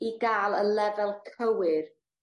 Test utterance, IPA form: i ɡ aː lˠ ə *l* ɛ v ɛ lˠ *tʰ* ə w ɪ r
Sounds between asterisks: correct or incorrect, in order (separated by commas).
correct, incorrect